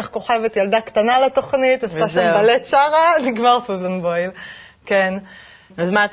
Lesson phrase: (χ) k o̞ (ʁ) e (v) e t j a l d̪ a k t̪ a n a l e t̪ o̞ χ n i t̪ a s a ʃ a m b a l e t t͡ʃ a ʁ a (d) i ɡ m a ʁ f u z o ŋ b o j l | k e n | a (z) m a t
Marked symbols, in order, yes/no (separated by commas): yes, no, yes, no, yes